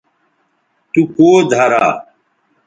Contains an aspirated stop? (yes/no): no